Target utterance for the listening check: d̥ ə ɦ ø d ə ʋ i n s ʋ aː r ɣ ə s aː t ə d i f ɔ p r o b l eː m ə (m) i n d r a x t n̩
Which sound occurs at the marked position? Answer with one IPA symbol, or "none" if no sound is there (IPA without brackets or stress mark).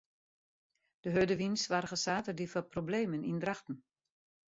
n